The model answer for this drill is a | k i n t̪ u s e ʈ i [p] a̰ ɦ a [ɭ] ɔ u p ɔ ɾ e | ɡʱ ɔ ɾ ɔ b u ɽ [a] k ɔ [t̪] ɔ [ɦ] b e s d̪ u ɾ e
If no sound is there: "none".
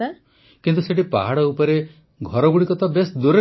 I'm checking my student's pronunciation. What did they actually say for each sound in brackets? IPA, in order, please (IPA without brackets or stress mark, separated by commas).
p, ɽ, i, t̪, none